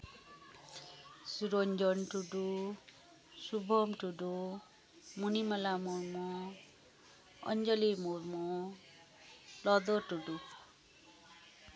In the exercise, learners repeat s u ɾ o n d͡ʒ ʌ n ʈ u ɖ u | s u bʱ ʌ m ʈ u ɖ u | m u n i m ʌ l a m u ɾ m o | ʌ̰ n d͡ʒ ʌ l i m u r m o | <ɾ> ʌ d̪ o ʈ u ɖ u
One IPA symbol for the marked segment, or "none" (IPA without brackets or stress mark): l